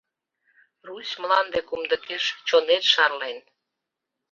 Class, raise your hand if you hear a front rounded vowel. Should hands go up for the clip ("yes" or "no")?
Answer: no